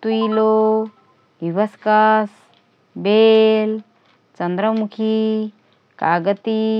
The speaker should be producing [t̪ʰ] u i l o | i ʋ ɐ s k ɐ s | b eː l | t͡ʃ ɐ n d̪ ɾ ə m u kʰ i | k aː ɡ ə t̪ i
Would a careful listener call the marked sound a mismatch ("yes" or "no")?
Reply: yes